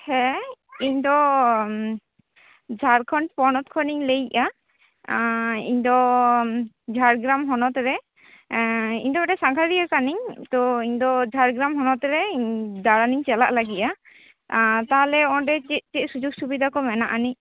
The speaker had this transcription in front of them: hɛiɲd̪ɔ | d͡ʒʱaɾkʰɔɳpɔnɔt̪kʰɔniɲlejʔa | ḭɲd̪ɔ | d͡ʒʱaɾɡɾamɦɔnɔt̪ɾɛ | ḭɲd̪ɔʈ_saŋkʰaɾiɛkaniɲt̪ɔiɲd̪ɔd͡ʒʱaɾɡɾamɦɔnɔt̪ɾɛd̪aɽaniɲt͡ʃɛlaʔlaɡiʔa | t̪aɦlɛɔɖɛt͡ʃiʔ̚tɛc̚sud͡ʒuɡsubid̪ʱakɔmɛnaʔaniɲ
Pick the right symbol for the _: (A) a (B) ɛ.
B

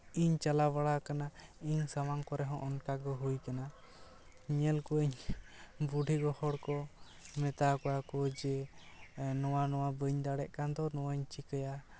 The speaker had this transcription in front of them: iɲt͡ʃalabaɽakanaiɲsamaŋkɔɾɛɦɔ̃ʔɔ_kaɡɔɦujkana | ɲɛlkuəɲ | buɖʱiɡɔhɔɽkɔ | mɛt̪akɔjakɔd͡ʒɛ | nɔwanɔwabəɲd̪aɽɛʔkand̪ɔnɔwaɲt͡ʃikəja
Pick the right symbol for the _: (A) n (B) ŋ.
A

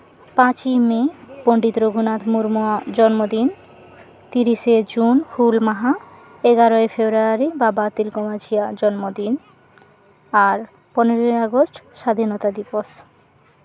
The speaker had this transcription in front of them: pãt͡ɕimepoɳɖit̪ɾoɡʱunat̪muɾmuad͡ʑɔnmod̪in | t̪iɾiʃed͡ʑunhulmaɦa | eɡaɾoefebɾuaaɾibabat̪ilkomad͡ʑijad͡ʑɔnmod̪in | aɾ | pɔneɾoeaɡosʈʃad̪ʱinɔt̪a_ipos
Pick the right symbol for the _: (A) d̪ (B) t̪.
A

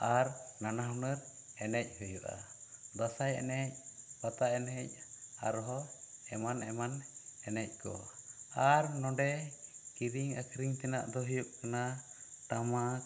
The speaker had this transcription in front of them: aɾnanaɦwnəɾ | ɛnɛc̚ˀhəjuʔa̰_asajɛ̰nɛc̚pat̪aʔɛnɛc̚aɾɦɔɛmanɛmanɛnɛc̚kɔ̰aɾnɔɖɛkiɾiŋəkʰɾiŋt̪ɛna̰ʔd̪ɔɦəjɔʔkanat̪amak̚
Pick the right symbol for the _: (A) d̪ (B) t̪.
A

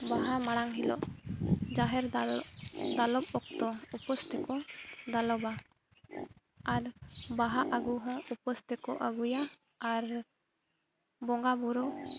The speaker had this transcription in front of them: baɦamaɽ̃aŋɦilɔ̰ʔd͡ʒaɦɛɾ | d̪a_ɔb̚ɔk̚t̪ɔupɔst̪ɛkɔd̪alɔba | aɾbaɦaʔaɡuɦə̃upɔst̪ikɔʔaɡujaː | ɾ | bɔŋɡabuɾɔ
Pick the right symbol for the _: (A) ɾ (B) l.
B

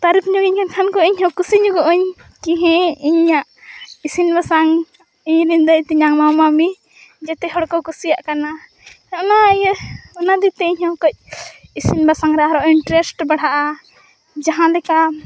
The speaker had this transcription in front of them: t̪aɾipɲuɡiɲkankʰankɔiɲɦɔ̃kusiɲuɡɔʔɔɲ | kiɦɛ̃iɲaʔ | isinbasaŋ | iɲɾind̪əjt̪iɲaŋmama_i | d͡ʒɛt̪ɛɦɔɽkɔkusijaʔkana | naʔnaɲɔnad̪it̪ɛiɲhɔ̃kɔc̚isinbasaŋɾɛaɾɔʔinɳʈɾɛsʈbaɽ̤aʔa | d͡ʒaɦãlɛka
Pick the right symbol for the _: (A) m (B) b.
A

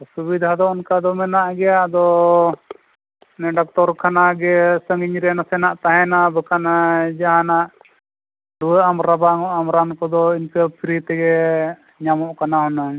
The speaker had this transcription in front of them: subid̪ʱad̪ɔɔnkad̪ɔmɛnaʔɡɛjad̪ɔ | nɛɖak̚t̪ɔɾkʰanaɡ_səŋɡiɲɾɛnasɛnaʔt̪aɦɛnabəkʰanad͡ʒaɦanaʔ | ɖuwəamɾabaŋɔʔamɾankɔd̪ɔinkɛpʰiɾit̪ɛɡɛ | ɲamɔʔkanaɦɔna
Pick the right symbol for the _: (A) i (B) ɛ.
B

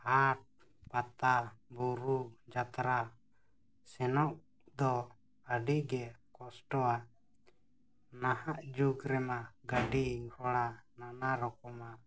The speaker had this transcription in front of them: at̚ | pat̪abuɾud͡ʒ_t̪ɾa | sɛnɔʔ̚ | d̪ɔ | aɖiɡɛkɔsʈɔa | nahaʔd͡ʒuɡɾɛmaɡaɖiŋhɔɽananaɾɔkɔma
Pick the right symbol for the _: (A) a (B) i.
A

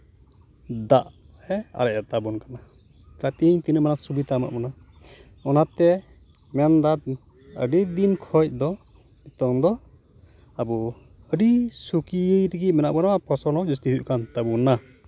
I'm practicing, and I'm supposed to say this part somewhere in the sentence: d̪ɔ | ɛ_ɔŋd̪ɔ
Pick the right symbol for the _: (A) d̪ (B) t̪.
B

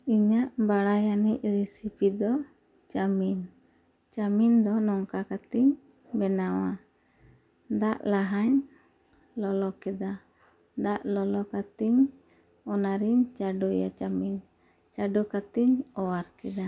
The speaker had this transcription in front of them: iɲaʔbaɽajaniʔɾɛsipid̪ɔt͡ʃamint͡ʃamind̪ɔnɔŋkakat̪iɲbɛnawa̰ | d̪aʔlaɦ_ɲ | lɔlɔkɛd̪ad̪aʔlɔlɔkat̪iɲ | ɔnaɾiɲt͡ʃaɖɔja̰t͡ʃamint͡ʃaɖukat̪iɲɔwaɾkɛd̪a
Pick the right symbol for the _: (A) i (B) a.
B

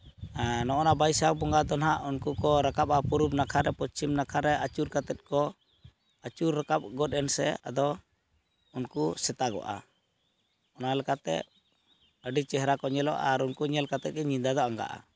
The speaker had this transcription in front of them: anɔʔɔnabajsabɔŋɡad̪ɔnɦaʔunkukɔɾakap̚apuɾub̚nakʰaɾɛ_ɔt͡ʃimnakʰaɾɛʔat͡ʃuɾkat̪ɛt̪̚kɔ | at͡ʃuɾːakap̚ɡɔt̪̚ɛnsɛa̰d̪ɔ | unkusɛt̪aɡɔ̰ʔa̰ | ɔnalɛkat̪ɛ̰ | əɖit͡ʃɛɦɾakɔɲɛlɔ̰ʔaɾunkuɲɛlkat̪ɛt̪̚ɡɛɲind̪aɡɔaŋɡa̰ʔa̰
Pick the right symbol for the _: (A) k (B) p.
B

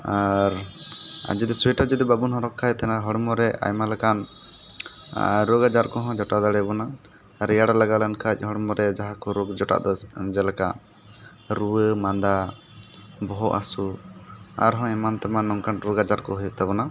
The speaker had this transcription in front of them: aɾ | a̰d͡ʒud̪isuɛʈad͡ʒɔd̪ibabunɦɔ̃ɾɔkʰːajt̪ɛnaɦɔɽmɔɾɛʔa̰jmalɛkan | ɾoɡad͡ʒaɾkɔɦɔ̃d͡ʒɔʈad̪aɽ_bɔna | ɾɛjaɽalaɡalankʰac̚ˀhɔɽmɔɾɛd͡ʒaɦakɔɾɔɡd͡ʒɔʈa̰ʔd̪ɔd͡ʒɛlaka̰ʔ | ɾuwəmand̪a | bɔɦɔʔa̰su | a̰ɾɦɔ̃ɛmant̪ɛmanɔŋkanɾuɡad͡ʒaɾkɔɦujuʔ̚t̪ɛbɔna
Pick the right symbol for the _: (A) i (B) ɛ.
B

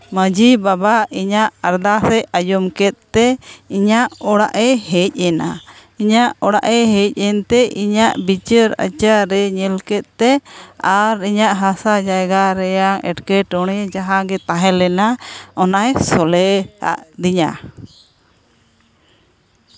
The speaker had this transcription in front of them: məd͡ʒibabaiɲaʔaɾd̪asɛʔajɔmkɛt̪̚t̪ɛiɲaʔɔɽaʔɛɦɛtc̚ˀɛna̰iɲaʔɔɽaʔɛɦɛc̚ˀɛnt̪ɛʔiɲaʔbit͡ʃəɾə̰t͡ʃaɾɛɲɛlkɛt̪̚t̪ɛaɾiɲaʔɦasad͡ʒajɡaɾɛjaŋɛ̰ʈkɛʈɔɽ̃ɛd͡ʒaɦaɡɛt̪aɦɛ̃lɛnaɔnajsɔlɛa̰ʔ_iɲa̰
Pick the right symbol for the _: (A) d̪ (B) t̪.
A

